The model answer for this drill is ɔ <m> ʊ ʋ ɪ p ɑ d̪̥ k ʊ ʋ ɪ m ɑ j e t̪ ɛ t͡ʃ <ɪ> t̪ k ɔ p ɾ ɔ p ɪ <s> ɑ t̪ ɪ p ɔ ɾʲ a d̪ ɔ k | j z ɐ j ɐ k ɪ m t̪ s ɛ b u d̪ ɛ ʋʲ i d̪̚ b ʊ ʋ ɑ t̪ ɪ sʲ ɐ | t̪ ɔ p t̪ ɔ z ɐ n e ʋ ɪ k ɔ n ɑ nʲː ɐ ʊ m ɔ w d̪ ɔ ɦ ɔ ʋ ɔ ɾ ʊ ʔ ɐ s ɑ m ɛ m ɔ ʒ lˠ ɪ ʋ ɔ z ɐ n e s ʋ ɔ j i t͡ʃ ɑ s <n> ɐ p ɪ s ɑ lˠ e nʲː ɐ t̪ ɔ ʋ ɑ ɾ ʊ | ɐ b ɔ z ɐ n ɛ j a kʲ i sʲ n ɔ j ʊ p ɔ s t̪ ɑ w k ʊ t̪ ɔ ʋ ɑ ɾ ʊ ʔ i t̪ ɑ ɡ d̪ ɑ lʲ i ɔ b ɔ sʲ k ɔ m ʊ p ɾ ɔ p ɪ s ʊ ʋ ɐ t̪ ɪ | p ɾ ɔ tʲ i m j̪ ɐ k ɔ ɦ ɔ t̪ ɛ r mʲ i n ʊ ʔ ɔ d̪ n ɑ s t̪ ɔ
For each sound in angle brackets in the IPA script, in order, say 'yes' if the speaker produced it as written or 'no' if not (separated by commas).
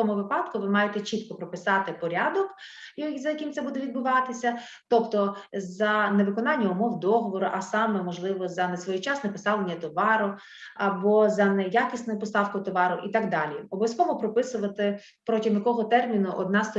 yes, no, yes, yes